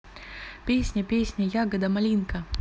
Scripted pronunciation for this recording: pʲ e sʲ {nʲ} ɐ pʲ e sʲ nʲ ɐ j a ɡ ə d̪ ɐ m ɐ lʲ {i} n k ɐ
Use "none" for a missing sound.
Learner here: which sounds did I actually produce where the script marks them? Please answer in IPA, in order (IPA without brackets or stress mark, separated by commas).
nʲ, i